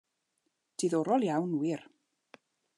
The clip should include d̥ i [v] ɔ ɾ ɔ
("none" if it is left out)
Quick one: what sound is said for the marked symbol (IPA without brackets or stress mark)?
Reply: ð